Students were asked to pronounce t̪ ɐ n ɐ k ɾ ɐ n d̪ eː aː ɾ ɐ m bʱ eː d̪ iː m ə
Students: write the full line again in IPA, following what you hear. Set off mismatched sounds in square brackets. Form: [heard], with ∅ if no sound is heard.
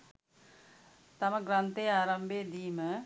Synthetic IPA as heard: t̪ ɐ [m] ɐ [ɡ] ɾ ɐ n [t̪] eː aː ɾ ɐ m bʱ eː d̪ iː m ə